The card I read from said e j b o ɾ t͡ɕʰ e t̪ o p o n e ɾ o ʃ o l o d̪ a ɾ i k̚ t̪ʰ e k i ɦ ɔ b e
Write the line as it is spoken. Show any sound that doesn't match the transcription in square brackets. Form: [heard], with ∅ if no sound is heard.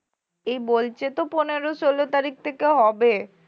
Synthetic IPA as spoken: e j b o [l] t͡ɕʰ e t̪ o p o n e ɾ o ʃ o l o [t̪] a ɾ i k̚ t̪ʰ e k [e] ɦ ɔ b e